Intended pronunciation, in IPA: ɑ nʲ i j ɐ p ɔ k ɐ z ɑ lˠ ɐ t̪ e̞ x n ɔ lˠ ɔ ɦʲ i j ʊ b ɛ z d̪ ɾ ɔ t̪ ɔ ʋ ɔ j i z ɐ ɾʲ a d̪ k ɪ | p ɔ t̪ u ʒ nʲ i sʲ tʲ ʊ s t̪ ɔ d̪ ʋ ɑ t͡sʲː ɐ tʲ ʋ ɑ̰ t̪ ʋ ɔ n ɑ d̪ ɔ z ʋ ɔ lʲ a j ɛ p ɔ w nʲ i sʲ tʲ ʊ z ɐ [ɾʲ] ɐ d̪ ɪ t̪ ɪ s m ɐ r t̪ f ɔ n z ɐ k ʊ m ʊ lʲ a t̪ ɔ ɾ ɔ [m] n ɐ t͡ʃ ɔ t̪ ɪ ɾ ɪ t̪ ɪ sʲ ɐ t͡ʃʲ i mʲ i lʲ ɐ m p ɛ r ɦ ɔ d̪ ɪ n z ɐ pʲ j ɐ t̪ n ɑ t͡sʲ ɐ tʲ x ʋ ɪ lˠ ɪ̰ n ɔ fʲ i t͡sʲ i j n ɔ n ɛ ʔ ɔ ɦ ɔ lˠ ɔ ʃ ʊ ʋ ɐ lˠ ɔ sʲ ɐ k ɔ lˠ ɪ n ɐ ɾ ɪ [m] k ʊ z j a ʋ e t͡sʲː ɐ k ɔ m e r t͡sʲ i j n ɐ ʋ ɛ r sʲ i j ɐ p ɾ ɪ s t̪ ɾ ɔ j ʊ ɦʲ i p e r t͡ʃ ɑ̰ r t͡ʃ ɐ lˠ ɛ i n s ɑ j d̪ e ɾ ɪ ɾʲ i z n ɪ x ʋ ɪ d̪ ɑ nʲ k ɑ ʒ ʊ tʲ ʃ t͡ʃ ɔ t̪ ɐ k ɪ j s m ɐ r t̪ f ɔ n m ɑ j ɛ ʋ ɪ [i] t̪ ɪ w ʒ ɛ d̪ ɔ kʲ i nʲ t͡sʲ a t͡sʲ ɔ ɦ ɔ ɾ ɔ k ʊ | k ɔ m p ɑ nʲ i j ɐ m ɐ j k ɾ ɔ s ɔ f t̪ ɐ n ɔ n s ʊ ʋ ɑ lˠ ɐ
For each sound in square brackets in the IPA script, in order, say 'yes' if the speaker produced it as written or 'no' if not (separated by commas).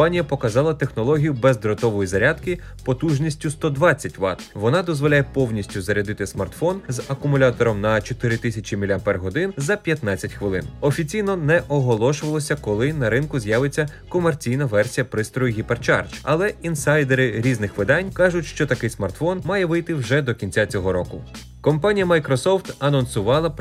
yes, yes, no, no